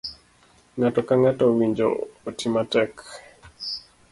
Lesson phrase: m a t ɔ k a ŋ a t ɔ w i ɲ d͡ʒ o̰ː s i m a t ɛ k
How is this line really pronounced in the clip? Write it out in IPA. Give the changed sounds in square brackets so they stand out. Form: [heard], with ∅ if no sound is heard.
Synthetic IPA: [ŋ] a t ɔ k a ŋ a t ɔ w i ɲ d͡ʒ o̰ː [t] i m a t ɛ k